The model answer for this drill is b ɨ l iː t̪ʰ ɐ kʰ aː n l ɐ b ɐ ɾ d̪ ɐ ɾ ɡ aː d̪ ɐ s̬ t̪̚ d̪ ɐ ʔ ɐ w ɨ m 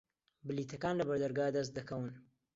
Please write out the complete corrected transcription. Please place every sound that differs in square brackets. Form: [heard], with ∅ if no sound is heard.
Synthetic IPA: b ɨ l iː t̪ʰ ɐ [k] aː n l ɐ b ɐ ɾ d̪ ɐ ɾ ɡ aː d̪ ɐ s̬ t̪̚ d̪ ɐ [k] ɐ w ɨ [n]